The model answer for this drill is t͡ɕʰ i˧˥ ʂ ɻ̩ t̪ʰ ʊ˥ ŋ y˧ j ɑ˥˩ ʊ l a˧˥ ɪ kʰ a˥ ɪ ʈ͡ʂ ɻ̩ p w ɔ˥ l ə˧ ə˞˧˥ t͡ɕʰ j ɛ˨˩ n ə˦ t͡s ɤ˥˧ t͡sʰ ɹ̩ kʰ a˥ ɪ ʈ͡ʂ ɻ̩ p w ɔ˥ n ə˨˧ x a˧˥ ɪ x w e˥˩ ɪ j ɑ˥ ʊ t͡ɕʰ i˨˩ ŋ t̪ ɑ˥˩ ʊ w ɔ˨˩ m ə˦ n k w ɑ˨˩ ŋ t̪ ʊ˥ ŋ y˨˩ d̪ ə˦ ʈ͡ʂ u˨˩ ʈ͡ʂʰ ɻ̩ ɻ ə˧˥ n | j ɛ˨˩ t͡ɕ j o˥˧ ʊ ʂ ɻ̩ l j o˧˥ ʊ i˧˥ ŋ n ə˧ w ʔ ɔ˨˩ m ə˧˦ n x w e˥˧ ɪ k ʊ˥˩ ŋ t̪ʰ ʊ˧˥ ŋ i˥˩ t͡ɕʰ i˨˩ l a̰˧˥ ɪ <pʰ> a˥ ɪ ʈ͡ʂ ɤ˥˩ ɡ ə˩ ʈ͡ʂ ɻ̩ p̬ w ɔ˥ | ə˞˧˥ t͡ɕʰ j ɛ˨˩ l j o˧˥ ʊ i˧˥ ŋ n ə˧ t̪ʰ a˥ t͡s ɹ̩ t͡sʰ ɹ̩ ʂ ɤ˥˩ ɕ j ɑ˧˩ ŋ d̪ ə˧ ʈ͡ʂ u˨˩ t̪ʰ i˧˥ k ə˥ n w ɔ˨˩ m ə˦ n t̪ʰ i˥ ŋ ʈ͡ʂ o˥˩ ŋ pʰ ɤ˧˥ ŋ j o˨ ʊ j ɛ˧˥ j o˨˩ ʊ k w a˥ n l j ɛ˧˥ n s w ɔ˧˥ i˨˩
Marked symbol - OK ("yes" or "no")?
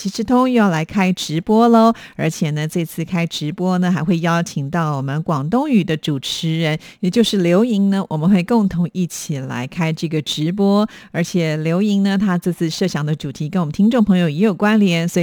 no